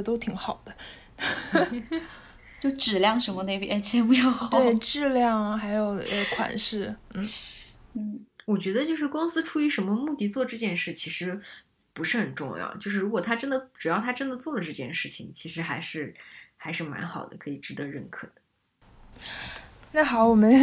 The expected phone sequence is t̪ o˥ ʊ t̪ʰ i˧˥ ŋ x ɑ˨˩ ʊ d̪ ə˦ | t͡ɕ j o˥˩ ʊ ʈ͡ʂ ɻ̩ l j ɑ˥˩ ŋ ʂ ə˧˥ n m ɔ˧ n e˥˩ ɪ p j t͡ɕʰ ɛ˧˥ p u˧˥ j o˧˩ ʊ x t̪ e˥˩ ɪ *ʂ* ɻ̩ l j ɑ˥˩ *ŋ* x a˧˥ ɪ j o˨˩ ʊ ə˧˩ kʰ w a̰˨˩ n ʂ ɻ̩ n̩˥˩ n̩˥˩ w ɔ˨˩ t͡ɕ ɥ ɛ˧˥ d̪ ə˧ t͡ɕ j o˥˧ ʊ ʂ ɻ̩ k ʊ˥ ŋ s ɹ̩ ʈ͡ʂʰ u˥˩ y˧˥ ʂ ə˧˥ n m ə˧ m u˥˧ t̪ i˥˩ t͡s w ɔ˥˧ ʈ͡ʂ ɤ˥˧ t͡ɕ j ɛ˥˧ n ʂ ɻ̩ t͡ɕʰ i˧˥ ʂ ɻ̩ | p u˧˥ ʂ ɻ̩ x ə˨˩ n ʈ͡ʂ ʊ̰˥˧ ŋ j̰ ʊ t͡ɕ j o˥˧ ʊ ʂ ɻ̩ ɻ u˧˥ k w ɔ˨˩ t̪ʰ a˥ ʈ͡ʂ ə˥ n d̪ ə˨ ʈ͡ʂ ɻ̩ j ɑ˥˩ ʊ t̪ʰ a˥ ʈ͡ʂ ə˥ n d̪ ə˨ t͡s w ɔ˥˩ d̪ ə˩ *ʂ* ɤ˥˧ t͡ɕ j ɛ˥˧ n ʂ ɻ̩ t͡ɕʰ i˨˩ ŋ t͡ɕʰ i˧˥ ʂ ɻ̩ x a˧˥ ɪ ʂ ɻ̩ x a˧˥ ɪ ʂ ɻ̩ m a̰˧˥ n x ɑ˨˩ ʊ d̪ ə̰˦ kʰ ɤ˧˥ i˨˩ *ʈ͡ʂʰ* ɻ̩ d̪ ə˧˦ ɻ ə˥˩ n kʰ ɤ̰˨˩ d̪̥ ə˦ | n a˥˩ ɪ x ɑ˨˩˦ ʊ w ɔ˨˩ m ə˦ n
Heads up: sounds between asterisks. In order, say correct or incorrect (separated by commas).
incorrect, correct, incorrect, incorrect